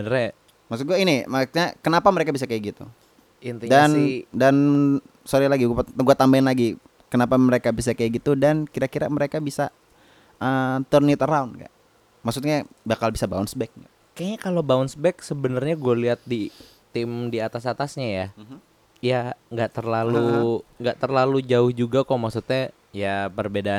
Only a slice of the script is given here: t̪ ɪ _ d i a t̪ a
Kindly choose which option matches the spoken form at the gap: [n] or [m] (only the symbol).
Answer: m